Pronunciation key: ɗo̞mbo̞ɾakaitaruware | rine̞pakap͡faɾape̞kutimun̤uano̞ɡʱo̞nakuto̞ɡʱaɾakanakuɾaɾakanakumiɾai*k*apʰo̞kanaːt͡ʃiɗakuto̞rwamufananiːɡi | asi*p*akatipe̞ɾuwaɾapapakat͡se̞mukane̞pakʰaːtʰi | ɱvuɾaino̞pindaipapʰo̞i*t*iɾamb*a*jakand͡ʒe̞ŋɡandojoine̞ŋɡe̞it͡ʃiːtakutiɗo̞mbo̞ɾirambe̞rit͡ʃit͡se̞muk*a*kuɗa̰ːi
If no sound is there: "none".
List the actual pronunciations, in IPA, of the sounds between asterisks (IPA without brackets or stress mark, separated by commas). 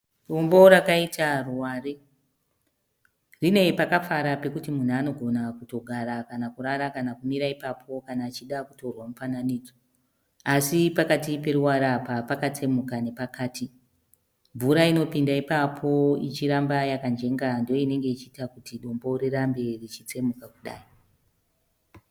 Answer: p, p, t͡ʃ, a, a